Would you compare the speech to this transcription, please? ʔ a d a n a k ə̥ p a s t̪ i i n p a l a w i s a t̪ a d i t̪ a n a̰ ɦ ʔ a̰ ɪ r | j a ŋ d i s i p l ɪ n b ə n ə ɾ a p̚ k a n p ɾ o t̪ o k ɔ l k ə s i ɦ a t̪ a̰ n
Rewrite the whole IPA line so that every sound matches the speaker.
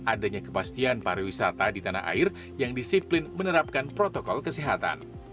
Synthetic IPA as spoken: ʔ a d a ɲ a k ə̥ p a s t̪ i a n p a ɾ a w i s a t̪ a d i t̪ a n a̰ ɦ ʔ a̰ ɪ r | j a ŋ d i s i p l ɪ n m ə n ə ɾ a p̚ k a n p ɾ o t̪ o k ɔ l k ə s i ɦ a t̪ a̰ n